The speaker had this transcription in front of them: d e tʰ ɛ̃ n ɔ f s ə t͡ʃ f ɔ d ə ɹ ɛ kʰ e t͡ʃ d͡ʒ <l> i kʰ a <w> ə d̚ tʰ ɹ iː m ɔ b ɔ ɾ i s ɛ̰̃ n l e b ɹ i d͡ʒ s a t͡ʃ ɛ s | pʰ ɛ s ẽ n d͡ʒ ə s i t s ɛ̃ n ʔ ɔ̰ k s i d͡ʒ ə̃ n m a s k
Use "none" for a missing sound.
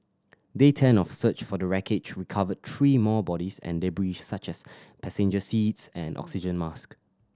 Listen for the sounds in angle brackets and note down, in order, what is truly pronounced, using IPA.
ɹ, v

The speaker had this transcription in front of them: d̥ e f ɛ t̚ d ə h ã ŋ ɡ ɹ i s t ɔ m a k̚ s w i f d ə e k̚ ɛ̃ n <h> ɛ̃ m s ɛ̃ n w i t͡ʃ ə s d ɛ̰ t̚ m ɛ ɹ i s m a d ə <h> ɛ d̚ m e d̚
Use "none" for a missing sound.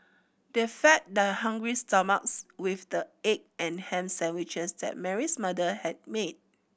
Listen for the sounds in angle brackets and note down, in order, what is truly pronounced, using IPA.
h, h

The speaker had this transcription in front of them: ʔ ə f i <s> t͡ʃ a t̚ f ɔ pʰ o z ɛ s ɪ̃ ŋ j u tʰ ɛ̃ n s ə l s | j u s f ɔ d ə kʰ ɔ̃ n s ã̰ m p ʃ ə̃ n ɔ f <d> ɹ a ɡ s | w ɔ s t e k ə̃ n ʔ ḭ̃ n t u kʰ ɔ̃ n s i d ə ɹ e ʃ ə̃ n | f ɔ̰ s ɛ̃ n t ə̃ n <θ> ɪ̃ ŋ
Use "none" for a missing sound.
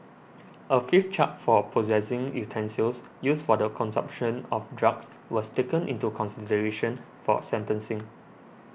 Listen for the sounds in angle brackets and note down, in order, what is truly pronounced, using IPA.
f, d, s

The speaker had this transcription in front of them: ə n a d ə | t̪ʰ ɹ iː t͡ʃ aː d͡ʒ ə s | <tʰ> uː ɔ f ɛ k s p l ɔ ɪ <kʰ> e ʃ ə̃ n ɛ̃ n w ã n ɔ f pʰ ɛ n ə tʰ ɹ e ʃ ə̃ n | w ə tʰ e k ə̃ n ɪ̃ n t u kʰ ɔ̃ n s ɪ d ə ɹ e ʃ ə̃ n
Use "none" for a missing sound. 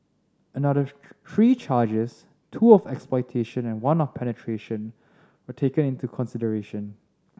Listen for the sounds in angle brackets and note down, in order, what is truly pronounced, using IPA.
tʰ, tʰ

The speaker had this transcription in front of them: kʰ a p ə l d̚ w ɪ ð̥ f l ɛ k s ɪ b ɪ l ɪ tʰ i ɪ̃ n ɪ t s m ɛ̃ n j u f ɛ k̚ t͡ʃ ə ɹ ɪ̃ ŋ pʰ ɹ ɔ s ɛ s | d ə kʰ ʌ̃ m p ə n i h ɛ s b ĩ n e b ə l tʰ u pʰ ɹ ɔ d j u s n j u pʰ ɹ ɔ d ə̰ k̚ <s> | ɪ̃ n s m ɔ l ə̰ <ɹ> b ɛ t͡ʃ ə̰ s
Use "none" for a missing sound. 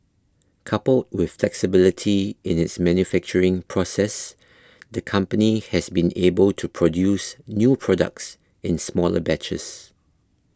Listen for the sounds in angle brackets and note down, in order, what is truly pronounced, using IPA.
s, none

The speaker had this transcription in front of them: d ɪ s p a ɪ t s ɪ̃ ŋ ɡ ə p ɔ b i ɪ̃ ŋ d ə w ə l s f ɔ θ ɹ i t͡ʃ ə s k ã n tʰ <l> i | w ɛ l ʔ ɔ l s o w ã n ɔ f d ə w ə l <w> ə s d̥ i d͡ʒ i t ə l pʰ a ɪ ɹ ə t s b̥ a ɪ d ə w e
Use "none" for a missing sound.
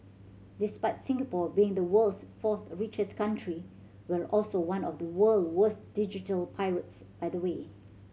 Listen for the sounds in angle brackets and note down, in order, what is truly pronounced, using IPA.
ɹ, w

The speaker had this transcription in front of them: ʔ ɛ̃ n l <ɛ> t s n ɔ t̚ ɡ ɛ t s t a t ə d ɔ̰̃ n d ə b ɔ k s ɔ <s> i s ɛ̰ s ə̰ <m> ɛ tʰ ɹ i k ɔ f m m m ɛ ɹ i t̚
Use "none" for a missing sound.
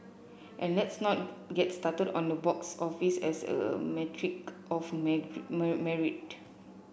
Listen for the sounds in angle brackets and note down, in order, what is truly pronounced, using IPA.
ɛ, f, m

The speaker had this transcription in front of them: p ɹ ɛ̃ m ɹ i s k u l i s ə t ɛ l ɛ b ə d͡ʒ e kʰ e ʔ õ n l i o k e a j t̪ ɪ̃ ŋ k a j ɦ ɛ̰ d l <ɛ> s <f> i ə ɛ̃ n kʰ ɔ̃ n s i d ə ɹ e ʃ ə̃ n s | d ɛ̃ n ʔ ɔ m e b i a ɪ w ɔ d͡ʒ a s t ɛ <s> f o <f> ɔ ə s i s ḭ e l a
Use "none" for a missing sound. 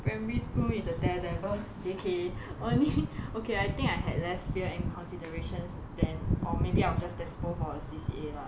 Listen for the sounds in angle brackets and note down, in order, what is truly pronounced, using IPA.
ɛ, f, s, f

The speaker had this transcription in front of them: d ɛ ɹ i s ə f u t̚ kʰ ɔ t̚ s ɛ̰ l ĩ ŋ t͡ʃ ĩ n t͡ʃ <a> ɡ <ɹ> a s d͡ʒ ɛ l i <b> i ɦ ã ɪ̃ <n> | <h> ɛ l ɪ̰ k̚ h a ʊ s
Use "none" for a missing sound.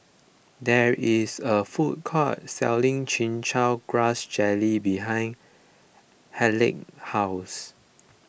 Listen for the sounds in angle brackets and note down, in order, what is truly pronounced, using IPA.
a, ɹ, b, n, h

